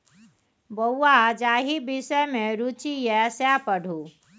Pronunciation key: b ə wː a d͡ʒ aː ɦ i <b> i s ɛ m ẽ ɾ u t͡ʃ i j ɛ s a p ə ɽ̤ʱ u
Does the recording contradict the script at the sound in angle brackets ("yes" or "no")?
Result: no